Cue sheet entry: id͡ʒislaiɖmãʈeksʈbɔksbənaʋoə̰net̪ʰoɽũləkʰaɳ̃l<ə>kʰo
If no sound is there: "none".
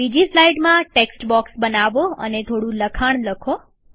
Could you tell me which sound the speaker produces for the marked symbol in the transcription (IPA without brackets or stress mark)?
ə